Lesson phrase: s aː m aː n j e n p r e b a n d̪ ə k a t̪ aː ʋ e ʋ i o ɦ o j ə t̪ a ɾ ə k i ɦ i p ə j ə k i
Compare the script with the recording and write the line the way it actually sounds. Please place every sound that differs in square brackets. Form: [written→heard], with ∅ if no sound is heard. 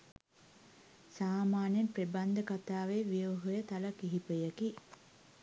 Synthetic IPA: s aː m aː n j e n p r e b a n d̪ ə k a t̪ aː ʋ e ʋ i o ɦ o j ə t̪ a [ɾ→l] ə k i ɦ i p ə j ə k i